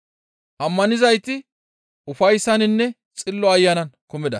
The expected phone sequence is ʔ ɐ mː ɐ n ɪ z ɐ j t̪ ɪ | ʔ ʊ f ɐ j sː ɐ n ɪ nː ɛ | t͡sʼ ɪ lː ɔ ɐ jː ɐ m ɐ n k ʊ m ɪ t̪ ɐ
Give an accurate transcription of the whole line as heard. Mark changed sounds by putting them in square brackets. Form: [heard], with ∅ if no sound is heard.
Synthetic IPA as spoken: ʔ ɐ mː ɐ n ɪ z ɐ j t̪ ɪ | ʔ ʊ f ɐ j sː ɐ n ɪ nː ɛ | t͡sʼ ɪ lː ɔ ɐ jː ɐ [n] ɐ n k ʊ m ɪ [d̪] ɐ